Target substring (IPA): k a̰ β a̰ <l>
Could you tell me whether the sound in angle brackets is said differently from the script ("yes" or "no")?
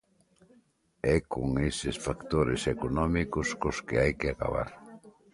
yes